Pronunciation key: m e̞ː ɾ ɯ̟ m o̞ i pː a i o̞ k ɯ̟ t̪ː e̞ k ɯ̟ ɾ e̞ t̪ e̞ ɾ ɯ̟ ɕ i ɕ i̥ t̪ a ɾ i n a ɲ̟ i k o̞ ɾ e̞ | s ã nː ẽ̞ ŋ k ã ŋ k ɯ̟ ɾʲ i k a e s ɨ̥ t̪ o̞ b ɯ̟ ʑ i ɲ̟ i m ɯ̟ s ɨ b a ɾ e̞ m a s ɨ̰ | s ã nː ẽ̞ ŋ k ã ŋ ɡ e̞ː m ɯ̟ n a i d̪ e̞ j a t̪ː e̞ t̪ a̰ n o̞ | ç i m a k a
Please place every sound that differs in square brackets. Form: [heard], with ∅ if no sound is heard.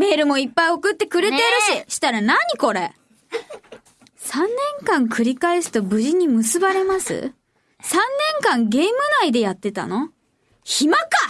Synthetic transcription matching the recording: m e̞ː ɾ ɯ̟ m o̞ i pː a i o̞ k ɯ̟ t̪ː e̞ k ɯ̟ ɾ e̞ t̪ e̞ ɾ ɯ̟ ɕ i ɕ i̥ t̪ a ɾ [a] n a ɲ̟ i k o̞ ɾ e̞ | s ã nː ẽ̞ ŋ k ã ŋ k ɯ̟ ɾʲ i k a e s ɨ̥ t̪ o̞ b ɯ̟ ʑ i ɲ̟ i m ɯ̟ s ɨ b a ɾ e̞ m a s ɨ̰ | s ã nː ẽ̞ ŋ k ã ŋ ɡ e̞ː m ɯ̟ n a i d̪ e̞ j a t̪ː e̞ t̪ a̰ n o̞ | ç i m a k a